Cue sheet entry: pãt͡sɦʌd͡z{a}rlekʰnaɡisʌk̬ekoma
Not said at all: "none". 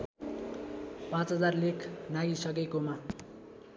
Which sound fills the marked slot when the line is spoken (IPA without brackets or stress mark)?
a